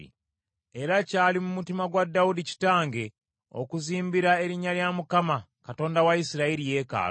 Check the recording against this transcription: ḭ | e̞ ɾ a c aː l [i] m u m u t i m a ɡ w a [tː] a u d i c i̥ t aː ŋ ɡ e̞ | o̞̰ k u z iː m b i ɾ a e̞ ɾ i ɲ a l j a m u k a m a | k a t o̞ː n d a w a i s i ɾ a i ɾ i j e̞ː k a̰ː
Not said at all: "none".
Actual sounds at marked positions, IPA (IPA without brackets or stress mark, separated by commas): i, dː